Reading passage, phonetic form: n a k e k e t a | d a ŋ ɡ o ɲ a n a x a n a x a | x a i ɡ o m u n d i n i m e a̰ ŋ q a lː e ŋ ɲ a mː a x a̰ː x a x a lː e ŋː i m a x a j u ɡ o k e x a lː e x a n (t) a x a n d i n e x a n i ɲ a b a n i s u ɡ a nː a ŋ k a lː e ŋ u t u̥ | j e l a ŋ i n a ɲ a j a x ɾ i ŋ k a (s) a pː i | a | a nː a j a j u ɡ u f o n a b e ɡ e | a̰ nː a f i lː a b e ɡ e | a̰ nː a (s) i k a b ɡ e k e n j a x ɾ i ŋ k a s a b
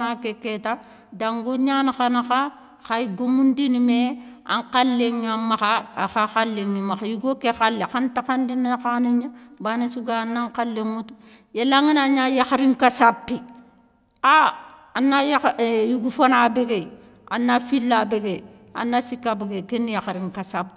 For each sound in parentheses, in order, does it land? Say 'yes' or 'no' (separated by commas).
yes, yes, yes